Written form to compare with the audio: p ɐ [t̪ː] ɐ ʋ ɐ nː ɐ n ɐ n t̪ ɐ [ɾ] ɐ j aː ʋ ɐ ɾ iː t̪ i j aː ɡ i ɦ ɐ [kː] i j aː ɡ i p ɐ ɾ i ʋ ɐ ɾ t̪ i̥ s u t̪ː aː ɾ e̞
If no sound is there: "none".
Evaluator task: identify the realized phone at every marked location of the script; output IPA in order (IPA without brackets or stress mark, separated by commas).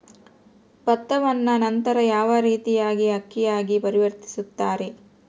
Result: t̪ː, ɾ, kː